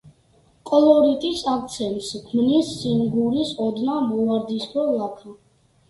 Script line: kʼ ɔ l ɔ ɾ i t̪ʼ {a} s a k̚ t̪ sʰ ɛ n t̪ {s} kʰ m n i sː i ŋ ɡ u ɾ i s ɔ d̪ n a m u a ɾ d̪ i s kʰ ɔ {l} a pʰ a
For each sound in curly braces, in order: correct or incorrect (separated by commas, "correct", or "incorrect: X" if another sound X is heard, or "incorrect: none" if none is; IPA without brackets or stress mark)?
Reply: incorrect: i, correct, correct